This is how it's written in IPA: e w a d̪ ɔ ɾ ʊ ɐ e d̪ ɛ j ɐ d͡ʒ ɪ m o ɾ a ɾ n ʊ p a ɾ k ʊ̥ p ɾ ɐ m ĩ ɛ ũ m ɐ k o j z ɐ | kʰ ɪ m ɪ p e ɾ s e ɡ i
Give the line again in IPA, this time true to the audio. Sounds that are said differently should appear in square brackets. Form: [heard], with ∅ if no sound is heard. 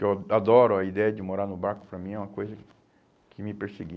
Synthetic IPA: e w a d̪ ɔ ɾ ʊ ɐ [i] d̪ ɛ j ɐ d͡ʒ ɪ m o ɾ a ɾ n ʊ [b] a ɾ k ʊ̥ p ɾ ɐ m ĩ ɛ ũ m ɐ k o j z ɐ | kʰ ɪ m ɪ p e ɾ s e ɡ i